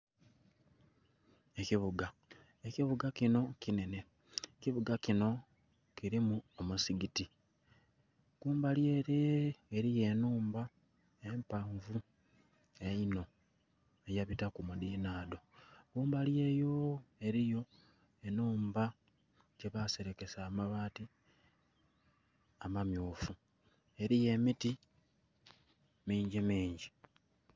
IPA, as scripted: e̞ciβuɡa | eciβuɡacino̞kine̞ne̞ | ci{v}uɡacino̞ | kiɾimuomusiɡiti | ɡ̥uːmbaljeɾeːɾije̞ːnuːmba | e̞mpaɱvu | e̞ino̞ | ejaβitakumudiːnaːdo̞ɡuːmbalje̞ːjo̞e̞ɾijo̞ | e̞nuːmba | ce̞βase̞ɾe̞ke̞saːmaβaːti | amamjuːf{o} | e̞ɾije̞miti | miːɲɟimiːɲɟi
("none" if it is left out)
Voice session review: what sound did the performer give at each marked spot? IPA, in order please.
β, u

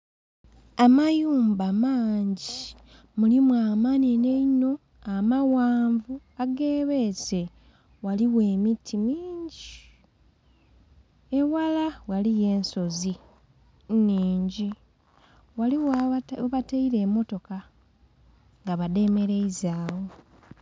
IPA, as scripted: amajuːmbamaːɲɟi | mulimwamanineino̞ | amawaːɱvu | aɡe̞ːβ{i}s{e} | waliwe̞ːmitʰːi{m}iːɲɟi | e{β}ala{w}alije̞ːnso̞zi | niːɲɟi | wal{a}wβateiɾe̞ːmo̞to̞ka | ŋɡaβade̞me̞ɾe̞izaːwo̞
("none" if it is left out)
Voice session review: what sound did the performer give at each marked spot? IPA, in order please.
e, e, m, w, w, i

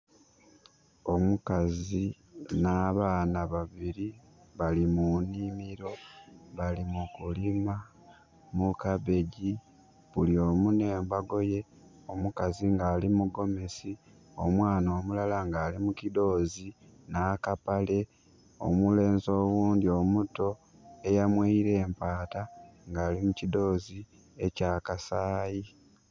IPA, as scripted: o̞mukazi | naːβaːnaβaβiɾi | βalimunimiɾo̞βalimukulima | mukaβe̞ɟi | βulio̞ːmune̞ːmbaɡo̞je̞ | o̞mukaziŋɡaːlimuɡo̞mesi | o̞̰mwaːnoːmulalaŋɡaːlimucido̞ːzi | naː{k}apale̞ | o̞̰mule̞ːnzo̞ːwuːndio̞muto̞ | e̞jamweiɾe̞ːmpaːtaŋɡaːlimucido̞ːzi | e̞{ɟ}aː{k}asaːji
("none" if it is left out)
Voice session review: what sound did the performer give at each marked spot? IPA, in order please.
k, c, k

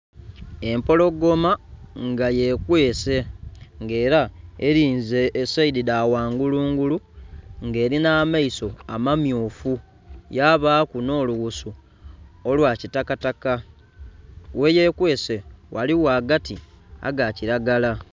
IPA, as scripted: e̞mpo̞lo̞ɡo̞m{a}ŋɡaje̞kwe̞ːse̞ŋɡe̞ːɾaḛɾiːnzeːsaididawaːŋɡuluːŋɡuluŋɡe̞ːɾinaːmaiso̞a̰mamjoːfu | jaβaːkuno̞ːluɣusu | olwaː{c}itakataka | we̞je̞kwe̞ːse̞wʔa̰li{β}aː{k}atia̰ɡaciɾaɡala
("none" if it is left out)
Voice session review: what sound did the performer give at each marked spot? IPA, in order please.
a, c, w, ɡ

